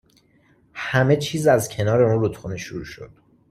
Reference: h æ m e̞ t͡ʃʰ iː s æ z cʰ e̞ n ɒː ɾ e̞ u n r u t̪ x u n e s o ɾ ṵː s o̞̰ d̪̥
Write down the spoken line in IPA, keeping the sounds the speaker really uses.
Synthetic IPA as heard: h æ m e̞ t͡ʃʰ iː z æ z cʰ e̞ n ɒː ɾ e̞ u n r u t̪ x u n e ʃ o ɾ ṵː ʃ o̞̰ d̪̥